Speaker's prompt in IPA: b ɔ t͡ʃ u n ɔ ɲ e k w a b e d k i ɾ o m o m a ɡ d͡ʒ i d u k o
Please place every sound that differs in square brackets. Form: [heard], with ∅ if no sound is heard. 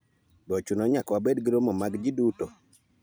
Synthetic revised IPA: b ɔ t͡ʃ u n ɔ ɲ [a] k w a b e d [ɡ] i ɾ o m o m a ɡ d͡ʒ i d u [t] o